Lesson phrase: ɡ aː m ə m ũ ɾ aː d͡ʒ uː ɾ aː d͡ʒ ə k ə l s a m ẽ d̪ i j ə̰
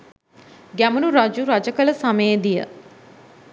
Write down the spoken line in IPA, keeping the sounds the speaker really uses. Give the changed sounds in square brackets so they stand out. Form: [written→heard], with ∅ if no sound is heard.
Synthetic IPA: ɡ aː m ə [m→n] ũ ɾ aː d͡ʒ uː ɾ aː d͡ʒ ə k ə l s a m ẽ d̪ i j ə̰